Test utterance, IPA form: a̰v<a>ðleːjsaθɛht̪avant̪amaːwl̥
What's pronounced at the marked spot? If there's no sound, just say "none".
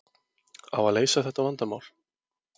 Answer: a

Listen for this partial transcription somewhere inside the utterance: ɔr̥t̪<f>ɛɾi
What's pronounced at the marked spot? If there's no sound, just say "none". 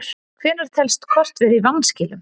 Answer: v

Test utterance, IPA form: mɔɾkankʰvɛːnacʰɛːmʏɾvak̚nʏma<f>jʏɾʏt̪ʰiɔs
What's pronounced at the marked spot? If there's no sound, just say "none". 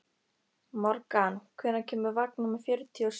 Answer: f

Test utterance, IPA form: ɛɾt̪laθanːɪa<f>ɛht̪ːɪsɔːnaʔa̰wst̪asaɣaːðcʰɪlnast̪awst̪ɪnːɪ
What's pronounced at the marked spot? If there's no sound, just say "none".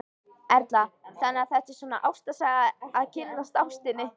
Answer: θ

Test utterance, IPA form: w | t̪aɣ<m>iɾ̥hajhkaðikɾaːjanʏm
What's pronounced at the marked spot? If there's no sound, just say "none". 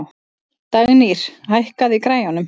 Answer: n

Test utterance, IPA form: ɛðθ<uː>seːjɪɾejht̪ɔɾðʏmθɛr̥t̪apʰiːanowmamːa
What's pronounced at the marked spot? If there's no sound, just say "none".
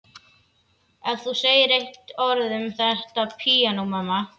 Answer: u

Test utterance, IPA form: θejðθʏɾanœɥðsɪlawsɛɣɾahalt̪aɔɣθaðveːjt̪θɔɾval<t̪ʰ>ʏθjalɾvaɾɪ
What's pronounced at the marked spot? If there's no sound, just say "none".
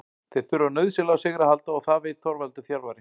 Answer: t̪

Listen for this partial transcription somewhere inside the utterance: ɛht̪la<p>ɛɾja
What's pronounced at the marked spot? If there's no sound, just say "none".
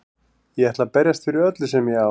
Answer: p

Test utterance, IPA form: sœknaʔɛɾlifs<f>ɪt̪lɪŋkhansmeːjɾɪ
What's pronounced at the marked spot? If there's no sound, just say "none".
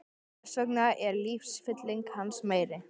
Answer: f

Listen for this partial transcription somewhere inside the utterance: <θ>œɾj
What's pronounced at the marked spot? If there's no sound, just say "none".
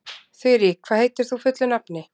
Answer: θ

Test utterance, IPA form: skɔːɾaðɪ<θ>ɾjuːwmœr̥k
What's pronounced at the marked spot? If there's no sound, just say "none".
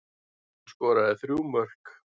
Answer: θ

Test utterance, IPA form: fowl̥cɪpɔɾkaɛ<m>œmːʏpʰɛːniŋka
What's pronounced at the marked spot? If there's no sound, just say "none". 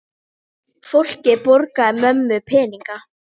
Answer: m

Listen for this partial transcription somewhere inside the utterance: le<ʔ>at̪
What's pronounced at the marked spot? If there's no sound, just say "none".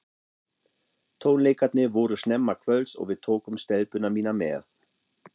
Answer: k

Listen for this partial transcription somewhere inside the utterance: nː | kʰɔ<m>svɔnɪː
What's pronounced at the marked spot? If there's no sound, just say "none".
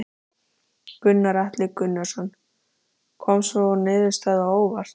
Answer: m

